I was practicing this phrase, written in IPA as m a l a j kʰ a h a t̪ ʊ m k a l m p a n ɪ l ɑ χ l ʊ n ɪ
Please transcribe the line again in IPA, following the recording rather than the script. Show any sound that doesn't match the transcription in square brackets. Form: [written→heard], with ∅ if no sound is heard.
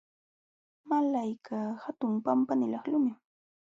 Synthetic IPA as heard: m a l a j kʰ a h a t̪ ʊ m [k→p] a [l→∅] m p a n ɪ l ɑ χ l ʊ [n→m] ɪ